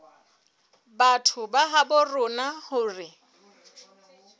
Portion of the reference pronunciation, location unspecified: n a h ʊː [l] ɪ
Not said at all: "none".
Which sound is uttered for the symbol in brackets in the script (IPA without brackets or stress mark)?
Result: r